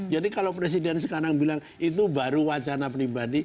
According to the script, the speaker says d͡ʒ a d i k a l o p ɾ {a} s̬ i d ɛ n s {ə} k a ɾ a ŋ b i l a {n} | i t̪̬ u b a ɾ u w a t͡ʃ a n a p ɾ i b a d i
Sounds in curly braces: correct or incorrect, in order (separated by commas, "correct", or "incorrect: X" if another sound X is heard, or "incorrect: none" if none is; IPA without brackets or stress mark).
incorrect: e, correct, incorrect: ŋ